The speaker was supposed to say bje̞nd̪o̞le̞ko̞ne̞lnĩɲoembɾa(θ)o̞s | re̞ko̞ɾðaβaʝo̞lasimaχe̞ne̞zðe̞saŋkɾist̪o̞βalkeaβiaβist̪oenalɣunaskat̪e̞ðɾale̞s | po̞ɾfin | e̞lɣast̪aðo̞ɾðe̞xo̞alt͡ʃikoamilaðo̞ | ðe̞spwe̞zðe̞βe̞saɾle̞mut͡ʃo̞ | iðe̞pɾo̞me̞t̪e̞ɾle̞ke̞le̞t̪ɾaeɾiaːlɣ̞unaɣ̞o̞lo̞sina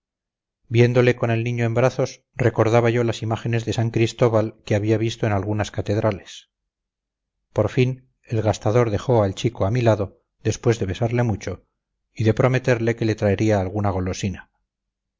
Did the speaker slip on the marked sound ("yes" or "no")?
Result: no